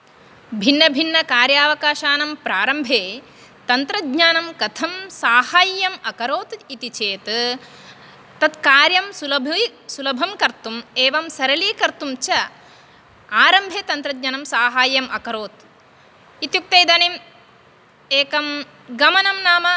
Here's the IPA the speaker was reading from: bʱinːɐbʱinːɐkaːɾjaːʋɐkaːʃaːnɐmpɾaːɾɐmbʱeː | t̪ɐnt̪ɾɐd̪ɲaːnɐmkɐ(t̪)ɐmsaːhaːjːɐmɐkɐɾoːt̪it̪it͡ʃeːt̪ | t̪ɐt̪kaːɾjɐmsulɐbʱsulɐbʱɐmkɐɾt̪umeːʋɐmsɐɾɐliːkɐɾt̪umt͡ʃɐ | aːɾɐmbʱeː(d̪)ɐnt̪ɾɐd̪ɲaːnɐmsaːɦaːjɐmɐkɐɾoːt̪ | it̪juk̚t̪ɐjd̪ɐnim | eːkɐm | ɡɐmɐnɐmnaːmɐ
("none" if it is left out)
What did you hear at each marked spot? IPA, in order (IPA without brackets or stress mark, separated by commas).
t̪ʰ, t̪